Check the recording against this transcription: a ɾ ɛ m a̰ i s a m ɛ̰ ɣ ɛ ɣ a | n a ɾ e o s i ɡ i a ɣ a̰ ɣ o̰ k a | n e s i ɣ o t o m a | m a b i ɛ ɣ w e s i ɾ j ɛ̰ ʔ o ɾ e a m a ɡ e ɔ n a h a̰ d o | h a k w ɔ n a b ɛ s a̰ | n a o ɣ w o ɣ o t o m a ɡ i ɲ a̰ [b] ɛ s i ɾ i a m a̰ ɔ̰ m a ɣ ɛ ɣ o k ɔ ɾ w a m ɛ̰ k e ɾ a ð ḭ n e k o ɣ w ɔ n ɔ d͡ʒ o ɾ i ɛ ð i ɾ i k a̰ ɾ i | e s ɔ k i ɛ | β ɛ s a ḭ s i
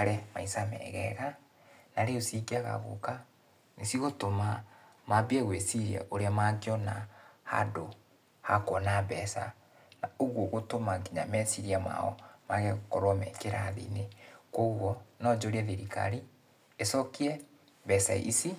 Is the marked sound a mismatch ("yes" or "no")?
yes